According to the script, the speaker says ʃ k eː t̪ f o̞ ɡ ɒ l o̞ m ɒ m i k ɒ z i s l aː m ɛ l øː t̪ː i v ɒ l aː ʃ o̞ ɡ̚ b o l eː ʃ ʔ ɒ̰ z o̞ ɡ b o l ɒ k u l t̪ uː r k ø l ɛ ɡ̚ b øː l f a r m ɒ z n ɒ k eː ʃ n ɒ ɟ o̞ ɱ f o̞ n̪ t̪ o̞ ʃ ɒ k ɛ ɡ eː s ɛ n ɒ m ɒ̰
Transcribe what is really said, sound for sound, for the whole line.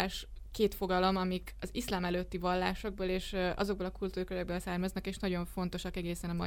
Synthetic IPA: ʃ k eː t̪ f o̞ ɡ ɒ l o̞ m ɒ m i k ɒ z i s l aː m ɛ l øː t̪ː i v ɒ lː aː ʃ o̞ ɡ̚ b o l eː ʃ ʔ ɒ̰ z o̞ ɡ b o l ɒ k u l t̪ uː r k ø ɾ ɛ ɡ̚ b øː l s a r m ɒ z n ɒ k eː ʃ n ɒ ɟ o̞ ɱ f o̞ n̪ t̪ o̞ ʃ ɒ k ɛ ɡ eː s ɛ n ɒ m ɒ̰